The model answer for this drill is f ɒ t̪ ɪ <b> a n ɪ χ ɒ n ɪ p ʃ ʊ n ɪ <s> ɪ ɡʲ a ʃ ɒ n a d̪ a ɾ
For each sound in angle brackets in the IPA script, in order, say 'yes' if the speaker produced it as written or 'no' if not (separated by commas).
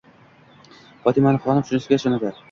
no, yes